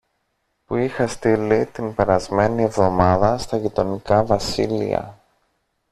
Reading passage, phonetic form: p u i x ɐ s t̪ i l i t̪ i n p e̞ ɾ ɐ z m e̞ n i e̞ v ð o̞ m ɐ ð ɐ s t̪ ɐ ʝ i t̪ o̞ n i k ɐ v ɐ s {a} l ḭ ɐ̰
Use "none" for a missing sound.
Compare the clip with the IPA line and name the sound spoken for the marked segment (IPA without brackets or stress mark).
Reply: i